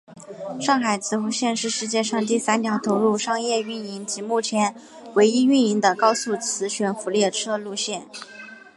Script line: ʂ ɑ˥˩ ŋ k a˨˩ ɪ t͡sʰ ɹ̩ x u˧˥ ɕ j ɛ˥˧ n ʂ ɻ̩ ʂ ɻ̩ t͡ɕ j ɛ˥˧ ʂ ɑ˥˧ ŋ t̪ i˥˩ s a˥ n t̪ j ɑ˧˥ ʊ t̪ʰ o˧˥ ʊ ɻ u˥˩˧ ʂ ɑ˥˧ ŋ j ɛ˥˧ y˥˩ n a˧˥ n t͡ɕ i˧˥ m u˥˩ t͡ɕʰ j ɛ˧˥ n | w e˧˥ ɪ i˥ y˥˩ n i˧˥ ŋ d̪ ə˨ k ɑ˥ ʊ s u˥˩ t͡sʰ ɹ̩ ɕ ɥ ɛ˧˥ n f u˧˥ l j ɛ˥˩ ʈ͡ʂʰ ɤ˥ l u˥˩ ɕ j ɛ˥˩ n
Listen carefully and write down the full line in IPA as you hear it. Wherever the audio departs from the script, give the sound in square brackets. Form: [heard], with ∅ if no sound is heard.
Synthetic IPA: ʂ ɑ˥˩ ŋ [x] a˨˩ ɪ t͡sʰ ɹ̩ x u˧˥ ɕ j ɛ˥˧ n ʂ ɻ̩ ʂ ɻ̩ t͡ɕ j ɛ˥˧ ʂ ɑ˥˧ ŋ t̪ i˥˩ s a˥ n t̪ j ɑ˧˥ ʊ t̪ʰ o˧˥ ʊ ɻ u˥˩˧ ʂ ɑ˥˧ ŋ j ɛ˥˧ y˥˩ n [i˧˥] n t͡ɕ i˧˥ m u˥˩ t͡ɕʰ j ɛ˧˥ n | w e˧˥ ɪ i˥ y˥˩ n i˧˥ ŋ d̪ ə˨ k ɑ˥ ʊ s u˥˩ t͡sʰ ɹ̩ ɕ ɥ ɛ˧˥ n f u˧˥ l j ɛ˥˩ ʈ͡ʂʰ ɤ˥ l [u˥˧] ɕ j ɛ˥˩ n